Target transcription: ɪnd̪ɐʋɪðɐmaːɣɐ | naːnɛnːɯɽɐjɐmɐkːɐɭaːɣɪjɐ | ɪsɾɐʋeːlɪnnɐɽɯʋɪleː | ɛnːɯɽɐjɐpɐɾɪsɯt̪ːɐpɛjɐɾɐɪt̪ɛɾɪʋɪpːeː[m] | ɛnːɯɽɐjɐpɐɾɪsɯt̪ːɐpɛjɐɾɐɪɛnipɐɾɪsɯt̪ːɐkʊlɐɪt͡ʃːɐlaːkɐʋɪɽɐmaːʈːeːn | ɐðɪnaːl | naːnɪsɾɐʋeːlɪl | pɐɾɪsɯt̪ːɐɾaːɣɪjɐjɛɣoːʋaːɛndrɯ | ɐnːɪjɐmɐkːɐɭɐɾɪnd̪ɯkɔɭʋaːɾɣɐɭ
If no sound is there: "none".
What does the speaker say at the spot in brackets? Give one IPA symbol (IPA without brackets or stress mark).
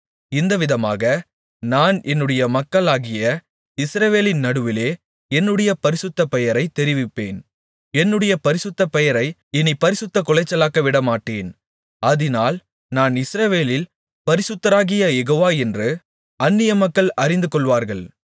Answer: n